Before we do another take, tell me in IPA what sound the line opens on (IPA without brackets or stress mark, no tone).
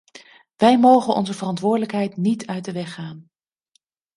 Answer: ʋ